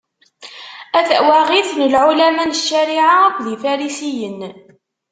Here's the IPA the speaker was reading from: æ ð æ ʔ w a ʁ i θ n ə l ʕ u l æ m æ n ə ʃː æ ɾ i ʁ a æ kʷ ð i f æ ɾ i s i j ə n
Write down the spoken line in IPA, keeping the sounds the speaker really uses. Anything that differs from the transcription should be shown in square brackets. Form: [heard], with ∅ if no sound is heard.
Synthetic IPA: æ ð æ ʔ w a ʁ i θ n ə l ʕ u l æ m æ n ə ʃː æ ɾ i [ʕ] a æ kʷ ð i f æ ɾ i s i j ə n